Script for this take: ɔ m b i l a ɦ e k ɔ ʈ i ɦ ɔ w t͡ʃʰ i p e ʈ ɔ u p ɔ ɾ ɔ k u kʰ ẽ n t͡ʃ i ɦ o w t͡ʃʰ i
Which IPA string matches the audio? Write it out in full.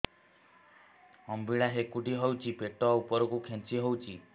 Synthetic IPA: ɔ m b i ɭ a ɦ e k u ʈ i ɦ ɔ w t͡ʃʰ i p e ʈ ɔ u p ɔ ɾ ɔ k u kʰ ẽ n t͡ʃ i ɦ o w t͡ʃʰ i